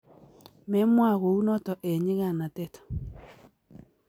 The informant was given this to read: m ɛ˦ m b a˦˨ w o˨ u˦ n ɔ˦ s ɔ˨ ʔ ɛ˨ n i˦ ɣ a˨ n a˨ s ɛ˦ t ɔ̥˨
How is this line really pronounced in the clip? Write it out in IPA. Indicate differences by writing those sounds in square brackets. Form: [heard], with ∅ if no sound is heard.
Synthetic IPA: m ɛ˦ m [w] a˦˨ [ɣ] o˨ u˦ n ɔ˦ [t] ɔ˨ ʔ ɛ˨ [ɲ] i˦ ɣ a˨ n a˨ [t] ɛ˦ t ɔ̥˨